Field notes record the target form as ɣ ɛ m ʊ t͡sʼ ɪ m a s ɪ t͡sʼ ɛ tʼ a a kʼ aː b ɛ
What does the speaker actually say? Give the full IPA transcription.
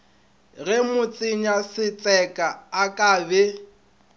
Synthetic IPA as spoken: ɣ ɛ m ʊ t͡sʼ ɪ ɲ a s ɪ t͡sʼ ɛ kʼ a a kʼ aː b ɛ

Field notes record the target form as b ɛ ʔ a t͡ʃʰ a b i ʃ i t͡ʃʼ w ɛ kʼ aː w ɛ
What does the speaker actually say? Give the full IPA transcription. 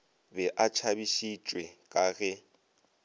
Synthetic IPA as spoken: b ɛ ʔ a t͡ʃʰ a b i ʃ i t͡ʃʼ w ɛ kʼ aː ɣ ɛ

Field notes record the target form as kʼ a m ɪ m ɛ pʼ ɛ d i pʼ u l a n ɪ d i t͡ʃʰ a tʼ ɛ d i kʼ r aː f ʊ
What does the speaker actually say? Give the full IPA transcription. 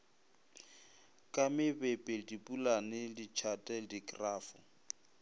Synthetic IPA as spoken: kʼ a m ɪ b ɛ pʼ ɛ d i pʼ u l a n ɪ d i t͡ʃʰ a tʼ ɛ d i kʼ r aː f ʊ

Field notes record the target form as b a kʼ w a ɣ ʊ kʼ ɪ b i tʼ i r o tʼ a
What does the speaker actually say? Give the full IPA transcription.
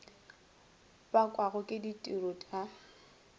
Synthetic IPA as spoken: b a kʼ w a ɣ ʊ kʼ ɪ d i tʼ i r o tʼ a

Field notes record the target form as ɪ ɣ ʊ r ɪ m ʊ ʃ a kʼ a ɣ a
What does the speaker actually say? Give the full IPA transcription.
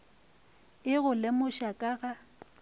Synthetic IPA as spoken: ɪ ɣ ʊ l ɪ m ʊ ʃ a kʼ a ɣ a

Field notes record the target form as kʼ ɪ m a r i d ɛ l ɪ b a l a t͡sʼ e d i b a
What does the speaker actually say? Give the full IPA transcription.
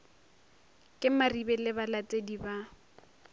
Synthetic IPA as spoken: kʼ ɪ m a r i b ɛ l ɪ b a l a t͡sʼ e d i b a

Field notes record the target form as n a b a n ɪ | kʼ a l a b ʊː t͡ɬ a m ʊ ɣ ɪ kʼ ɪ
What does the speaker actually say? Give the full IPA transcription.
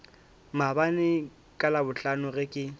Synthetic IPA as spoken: m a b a n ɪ | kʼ a l a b ʊ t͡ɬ a n ʊ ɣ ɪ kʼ ɪ

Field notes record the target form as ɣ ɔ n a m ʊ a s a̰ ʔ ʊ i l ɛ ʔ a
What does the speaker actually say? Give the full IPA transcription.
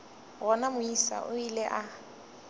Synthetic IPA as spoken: ɣ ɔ n a m ʊ i s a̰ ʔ ʊ i l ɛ ʔ a

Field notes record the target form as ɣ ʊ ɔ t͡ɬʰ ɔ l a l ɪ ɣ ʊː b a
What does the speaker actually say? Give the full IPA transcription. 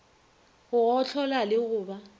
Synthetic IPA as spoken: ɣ ʊ ɔ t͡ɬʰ ɔ l a l ɪ ɣ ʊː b a

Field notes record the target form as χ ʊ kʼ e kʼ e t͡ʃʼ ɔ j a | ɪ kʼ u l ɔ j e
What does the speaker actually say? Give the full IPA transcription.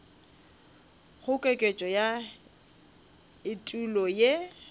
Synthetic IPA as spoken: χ ʊ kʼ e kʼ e t͡ʃʼ ɔ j a | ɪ tʼ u l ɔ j e

